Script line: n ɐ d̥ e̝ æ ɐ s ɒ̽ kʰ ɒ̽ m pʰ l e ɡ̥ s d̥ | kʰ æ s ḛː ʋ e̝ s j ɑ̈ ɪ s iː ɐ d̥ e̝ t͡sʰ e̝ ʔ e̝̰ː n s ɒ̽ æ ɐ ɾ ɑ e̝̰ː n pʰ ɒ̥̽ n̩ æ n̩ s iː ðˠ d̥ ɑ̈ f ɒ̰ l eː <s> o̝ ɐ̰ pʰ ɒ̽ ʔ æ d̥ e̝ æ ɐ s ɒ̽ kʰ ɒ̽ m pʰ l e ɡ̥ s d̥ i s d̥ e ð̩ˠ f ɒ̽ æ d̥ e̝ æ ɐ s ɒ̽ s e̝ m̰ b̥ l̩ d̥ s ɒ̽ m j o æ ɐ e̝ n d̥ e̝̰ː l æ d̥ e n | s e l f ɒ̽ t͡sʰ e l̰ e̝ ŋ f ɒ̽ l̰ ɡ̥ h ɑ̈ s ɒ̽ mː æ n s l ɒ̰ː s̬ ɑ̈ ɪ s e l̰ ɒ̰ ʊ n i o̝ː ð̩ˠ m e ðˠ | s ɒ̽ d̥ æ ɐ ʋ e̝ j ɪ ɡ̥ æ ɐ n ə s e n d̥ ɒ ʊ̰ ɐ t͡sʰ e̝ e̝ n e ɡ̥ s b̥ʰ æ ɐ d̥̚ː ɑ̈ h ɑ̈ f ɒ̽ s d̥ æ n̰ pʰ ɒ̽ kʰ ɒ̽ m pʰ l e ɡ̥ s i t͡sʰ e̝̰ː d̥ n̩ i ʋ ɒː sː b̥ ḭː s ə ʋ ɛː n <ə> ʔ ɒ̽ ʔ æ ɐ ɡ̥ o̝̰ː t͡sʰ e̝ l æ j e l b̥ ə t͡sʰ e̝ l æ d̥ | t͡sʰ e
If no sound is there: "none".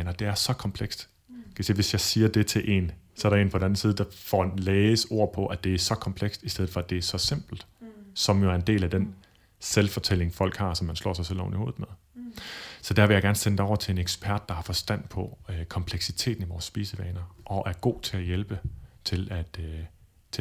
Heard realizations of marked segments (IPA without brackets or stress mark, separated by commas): s, ɐ